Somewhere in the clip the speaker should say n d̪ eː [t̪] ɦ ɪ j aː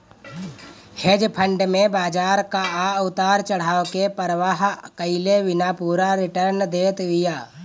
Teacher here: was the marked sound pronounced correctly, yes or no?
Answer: yes